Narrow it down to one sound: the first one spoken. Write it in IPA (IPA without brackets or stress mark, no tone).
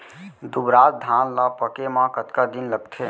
d̪